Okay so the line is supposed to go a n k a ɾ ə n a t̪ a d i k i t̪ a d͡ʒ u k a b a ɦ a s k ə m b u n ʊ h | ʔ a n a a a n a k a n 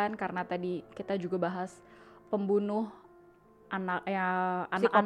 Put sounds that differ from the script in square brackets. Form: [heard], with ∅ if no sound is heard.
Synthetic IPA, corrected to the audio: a n k a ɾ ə n a t̪ a d i k i t̪ a d͡ʒ u [ɡ] a b a ɦ a s [p] ə m b u n ʊ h | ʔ a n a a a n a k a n